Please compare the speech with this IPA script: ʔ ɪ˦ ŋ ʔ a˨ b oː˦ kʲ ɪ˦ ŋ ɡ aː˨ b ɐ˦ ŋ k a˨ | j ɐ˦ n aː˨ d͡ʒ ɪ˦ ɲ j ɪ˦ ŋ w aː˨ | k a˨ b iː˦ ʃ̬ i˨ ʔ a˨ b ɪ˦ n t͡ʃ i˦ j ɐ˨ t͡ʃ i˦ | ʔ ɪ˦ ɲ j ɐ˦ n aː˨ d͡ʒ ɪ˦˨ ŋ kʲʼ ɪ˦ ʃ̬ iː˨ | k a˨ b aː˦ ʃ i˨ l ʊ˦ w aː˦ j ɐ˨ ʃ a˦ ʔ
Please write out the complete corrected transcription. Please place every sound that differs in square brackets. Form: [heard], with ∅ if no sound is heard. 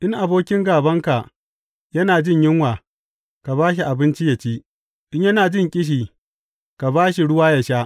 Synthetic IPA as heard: ʔ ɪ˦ ŋ ʔ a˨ b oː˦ kʲ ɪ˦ ŋ ɡ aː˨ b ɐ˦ ŋ k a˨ | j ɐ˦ n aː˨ d͡ʒ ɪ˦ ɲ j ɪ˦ ŋ w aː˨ | k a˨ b [aː˦] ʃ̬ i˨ ʔ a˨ b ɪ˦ n t͡ʃ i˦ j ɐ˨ t͡ʃ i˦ | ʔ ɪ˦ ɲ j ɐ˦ n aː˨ d͡ʒ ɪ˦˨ ŋ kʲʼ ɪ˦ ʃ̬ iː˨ | k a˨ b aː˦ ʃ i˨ [ɽ] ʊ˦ w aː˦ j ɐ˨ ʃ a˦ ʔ